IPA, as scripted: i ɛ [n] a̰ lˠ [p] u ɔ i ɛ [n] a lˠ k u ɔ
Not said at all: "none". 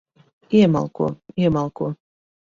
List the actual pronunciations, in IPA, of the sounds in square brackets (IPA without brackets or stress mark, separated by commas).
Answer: m, k, m